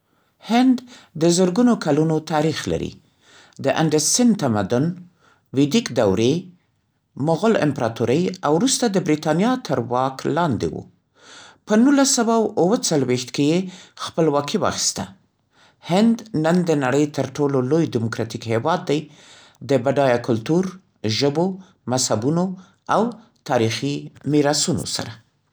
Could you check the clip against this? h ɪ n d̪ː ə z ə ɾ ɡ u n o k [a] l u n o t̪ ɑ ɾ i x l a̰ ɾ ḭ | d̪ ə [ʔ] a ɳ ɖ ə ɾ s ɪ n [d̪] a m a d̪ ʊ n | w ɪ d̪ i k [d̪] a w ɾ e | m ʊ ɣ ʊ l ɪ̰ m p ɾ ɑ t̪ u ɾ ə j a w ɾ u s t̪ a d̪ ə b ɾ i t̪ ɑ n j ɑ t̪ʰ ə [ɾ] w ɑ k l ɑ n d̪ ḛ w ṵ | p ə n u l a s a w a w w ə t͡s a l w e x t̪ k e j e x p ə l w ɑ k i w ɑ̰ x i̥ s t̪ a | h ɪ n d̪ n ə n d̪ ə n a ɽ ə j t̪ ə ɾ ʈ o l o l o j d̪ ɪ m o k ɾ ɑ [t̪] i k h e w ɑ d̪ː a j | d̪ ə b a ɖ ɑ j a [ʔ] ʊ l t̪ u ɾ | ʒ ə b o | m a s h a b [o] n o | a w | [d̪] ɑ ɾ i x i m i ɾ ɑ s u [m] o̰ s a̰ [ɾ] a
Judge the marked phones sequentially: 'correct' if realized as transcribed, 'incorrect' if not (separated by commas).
correct, correct, incorrect, correct, correct, correct, incorrect, incorrect, incorrect, incorrect, correct